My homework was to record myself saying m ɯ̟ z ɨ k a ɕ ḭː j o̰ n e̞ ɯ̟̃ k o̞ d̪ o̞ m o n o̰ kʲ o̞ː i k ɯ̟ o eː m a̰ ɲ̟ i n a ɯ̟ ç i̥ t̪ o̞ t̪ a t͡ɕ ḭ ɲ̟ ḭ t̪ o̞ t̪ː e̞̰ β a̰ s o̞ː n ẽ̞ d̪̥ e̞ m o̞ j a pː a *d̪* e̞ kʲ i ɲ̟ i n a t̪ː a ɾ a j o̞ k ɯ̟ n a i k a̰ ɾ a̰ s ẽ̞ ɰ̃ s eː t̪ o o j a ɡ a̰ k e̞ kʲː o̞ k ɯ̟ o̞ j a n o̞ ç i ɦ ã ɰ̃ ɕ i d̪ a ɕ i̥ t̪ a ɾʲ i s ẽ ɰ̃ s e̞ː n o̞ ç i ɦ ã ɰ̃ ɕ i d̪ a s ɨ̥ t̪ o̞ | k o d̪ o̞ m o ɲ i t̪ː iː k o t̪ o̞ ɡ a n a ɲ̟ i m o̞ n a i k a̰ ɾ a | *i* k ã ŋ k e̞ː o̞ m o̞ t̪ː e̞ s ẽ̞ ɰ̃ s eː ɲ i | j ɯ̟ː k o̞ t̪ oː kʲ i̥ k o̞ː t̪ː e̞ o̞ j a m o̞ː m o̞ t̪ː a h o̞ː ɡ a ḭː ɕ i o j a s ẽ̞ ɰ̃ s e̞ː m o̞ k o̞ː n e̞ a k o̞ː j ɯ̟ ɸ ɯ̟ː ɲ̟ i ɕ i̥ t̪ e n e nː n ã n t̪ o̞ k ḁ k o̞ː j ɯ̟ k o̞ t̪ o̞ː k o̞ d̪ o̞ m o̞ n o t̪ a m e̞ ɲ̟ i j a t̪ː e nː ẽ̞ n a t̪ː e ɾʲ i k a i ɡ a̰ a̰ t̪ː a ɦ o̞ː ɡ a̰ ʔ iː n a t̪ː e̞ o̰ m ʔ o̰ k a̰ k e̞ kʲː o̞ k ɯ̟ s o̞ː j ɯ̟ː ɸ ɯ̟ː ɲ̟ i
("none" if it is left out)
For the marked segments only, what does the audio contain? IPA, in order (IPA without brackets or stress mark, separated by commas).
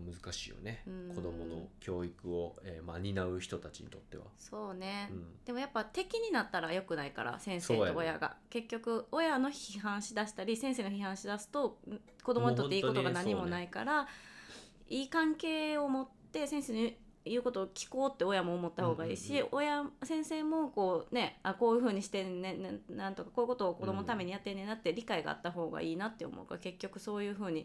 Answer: t̪, iː